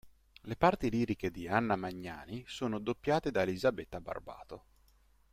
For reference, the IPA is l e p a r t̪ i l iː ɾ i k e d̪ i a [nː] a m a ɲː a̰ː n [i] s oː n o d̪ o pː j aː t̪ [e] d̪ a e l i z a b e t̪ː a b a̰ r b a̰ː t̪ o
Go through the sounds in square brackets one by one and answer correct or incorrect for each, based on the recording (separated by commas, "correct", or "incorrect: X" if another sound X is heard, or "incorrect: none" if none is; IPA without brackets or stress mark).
correct, correct, correct